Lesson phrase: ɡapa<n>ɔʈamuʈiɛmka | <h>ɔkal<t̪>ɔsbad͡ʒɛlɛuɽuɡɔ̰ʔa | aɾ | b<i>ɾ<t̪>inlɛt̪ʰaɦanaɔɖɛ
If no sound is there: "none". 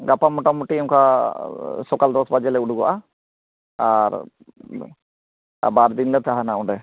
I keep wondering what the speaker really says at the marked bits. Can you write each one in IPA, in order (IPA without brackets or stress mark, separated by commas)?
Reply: m, s, d̪, a, d̪